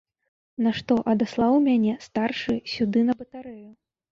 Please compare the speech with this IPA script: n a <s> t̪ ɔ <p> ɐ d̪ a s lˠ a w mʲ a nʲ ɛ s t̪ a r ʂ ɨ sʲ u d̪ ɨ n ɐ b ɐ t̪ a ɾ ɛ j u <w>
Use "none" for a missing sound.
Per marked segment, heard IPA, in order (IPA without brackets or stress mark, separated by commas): ʂ, ʔ, none